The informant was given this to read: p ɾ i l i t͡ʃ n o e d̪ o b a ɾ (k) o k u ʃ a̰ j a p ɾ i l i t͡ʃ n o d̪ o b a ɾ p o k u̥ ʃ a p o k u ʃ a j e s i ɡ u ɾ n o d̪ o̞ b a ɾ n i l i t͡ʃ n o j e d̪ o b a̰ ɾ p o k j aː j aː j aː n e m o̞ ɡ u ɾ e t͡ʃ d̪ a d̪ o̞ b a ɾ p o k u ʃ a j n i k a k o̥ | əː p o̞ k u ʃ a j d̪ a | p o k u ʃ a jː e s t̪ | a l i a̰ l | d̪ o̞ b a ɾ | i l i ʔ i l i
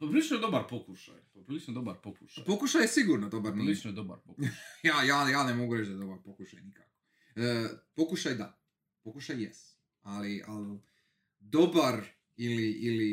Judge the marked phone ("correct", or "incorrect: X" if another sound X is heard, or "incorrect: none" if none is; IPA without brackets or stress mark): incorrect: p